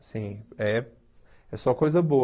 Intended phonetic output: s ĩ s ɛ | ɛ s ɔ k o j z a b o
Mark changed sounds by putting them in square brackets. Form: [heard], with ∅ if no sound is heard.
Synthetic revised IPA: s ĩ [∅] ɛ | ɛ s ɔ k o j z [ɐ] b o